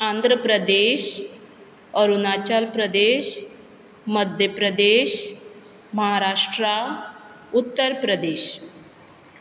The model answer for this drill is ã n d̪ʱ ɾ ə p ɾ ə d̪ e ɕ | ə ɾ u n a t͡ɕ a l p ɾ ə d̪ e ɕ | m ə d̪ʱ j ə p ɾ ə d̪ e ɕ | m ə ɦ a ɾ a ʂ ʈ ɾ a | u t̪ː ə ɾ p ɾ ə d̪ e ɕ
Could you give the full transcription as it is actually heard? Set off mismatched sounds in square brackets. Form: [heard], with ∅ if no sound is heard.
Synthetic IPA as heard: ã n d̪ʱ ɾ ə p ɾ ə d̪ e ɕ | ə ɾ u n a t͡ɕ a l p ɾ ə d̪ e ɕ | m ə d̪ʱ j ə p ɾ ə d̪ e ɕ | m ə ɦ a ɾ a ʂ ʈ ɾ a | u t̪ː ə ɾ p ɾ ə d̪ e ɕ